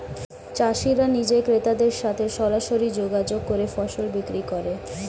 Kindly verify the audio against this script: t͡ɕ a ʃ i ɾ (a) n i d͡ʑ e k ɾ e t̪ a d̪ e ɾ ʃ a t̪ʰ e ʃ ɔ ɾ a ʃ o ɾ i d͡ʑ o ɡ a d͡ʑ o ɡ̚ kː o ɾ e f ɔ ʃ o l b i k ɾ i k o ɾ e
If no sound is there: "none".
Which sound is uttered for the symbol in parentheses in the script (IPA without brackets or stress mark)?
a